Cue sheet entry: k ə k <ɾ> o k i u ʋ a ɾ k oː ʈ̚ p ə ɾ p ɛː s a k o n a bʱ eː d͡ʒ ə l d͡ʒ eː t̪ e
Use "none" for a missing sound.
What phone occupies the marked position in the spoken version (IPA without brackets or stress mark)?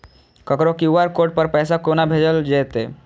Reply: ɾ